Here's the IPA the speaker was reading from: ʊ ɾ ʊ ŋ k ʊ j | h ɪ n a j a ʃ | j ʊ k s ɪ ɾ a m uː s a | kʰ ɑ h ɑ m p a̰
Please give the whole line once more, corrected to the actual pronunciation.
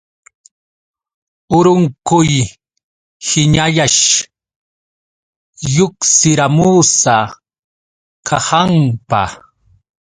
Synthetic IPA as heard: ʊ ɾ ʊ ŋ k ʊ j | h ɪ ɲ a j a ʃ | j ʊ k s ɪ ɾ a m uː s a | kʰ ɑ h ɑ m p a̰